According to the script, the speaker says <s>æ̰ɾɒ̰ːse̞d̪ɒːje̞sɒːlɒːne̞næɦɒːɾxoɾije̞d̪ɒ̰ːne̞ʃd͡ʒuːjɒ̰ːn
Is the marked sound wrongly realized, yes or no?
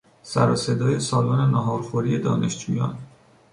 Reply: no